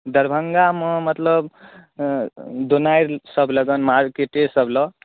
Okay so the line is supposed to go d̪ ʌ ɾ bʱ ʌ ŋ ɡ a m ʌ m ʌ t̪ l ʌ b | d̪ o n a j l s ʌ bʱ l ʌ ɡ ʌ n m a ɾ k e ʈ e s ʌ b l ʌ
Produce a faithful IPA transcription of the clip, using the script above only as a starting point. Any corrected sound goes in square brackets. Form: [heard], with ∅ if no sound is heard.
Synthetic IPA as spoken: d̪ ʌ ɾ bʱ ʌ ŋ ɡ a m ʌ m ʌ t̪ l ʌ b | d̪ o n a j [ɾ] s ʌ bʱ l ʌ ɡ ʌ n m a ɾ k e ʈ e s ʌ b l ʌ